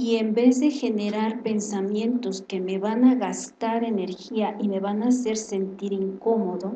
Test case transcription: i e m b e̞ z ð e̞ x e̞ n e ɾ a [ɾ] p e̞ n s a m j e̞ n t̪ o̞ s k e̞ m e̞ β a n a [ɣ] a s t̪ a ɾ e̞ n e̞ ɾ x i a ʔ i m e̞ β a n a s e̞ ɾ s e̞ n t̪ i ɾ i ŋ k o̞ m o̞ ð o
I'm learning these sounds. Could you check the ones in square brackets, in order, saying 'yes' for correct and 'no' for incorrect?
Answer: yes, yes

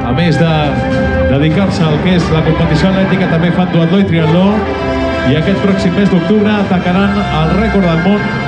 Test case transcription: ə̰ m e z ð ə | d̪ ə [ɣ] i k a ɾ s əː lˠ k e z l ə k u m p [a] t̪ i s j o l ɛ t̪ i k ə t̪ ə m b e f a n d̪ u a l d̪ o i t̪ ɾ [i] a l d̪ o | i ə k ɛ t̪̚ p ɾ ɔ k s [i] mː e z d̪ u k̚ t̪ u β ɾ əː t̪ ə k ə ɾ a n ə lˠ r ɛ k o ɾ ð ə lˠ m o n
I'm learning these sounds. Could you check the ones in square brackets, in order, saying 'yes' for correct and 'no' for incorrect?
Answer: no, no, yes, yes

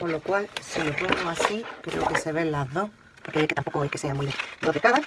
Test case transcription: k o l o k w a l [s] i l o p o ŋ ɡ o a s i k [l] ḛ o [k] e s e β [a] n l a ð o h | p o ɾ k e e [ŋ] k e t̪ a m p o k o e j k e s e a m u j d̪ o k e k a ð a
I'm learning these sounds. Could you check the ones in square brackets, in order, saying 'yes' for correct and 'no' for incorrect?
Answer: yes, no, yes, no, no

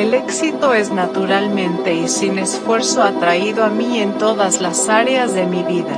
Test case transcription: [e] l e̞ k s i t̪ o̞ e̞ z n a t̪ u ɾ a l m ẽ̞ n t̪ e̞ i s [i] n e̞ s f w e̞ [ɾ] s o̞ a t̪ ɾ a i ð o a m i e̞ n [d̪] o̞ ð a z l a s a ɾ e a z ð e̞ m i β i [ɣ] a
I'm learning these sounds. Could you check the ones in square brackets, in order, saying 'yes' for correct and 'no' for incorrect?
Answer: yes, yes, yes, no, no

